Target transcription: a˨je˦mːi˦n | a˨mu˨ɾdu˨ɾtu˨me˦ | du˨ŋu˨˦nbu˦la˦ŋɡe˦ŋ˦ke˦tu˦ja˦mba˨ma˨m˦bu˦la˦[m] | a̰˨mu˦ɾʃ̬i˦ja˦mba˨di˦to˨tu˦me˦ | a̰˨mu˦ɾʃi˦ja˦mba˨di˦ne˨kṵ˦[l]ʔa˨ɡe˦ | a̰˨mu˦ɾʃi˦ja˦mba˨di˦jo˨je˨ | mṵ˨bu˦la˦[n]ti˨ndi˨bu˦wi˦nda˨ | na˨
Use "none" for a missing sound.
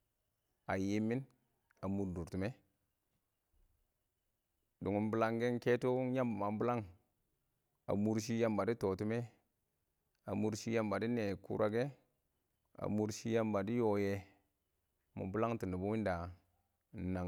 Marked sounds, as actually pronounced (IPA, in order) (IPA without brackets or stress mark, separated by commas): ŋ, ɾ, ŋ